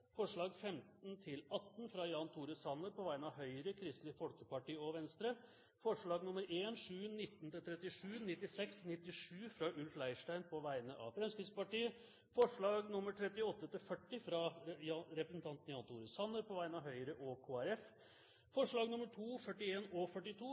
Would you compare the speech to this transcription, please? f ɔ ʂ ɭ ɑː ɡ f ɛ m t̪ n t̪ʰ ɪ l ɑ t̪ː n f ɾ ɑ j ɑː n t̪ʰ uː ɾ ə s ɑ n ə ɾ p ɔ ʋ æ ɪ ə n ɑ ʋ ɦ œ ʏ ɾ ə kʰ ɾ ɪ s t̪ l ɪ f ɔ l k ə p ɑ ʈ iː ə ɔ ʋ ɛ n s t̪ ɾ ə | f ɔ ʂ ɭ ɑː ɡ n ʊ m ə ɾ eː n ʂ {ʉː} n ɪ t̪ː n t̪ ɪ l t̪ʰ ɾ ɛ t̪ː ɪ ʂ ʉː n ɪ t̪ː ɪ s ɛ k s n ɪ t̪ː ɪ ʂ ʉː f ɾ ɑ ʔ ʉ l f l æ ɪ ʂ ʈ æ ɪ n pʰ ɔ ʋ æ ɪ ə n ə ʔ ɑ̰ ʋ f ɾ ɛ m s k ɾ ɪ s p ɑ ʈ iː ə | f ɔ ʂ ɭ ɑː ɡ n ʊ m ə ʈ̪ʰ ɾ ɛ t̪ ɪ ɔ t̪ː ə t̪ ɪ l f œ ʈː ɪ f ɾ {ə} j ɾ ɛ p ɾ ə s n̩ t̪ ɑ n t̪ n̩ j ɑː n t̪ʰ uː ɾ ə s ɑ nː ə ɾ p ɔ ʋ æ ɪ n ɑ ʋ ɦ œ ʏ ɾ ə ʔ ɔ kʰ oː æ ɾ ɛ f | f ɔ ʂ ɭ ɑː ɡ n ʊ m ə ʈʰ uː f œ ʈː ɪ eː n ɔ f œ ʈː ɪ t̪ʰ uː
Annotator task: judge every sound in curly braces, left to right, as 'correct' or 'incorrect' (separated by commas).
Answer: correct, incorrect